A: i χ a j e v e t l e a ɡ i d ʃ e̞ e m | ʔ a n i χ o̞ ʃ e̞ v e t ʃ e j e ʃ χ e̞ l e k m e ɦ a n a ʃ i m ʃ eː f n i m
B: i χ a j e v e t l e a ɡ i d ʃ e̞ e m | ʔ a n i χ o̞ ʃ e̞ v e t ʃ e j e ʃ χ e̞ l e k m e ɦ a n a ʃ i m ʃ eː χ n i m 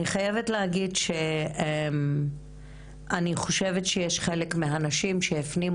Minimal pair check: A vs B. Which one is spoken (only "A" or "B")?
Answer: A